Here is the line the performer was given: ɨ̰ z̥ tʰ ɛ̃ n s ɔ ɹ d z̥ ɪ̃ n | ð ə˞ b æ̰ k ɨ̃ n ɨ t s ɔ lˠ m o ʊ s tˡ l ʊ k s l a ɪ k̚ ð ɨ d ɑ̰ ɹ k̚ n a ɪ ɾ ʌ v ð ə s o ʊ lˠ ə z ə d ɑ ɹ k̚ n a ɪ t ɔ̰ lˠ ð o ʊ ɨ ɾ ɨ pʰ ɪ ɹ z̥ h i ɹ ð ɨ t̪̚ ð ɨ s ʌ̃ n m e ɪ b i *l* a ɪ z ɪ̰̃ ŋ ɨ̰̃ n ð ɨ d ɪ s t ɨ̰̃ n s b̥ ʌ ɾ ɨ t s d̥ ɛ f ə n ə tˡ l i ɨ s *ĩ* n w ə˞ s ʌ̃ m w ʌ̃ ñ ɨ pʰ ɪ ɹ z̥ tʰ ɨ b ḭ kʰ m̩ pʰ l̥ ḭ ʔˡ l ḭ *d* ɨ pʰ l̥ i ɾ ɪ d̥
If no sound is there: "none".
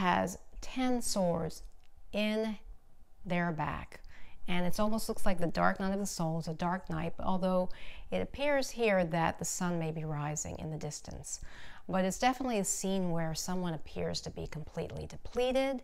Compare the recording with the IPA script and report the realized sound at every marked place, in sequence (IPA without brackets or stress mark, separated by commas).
ɹ, ĩ, d